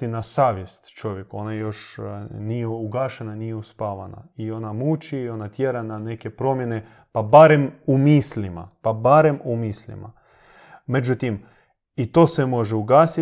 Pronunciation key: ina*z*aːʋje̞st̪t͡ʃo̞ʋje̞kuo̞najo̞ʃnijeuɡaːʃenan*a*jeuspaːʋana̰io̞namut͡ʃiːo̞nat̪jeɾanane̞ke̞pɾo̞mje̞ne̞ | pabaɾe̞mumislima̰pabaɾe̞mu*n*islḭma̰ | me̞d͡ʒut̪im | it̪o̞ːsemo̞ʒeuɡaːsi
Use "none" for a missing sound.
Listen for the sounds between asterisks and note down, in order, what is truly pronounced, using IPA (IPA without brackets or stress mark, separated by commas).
s, i, m